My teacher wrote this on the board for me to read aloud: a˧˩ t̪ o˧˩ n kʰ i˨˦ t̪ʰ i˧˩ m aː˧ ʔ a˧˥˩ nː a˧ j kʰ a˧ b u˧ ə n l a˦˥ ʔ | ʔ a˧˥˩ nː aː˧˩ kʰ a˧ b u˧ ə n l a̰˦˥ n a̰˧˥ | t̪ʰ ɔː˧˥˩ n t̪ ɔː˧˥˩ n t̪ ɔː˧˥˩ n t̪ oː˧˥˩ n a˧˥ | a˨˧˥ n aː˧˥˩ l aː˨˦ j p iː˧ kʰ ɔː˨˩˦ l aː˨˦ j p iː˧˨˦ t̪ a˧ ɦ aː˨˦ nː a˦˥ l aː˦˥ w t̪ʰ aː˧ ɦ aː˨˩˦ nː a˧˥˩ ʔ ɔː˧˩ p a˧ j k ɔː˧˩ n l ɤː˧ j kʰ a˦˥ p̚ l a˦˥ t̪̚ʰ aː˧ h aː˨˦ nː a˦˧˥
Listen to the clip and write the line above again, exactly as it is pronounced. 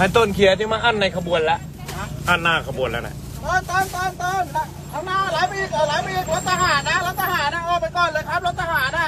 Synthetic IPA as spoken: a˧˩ t̪ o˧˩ n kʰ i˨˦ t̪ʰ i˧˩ m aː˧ ʔ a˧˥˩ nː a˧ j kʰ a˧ b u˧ ə n l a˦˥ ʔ | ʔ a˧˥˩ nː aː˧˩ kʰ a˧ b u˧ ə n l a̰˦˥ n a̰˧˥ | t̪ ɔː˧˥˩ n t̪ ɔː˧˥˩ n t̪ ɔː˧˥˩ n t̪ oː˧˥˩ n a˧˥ | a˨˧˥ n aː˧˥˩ l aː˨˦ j p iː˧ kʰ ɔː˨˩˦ l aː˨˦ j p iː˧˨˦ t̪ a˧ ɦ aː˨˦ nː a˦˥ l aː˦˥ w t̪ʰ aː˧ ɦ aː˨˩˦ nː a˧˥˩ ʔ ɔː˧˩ p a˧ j k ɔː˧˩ n l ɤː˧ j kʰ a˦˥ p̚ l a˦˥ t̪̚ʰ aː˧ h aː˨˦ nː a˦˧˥